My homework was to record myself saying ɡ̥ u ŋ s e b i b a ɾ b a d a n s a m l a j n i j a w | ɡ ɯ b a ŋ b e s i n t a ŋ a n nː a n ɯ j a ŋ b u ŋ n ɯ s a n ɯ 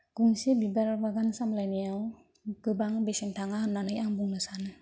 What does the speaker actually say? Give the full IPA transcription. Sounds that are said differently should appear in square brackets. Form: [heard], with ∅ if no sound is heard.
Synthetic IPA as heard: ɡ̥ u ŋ s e b i b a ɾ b a [ɡ] a n s a m l a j n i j a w | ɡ ɯ b a ŋ b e s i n t a ŋ a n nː a n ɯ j a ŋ b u ŋ n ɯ s a n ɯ